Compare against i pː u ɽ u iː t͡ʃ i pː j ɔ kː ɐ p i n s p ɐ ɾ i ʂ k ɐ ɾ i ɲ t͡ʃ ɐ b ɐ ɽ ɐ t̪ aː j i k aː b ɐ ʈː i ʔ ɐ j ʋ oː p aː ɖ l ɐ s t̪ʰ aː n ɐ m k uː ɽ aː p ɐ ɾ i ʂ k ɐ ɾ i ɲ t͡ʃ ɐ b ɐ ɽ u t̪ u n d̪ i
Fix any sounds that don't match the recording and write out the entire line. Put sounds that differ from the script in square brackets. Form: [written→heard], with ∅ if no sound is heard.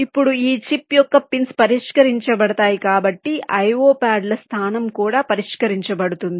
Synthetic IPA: i pː u ɽ u iː t͡ʃ i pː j ɔ kː ɐ p i n s p ɐ ɾ i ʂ k ɐ ɾ i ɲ t͡ʃ ɐ b ɐ ɽ ɐ t̪ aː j i k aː b ɐ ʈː i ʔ ɐ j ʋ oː p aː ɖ l ɐ s t̪ʰ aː n ɐ m k uː ɽ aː p ɐ ɾ i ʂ k ɐ ɾ i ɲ t͡ʃ ɐ b ɐ ɽ u t̪ u n d̪ i